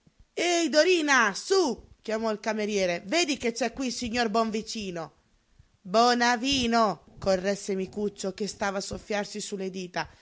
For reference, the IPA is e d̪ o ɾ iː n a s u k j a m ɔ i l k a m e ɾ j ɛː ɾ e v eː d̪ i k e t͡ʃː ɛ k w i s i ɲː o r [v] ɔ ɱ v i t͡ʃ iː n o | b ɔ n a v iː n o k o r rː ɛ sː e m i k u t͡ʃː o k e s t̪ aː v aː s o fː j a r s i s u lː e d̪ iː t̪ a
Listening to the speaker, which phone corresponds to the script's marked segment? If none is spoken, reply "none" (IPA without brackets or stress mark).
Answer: b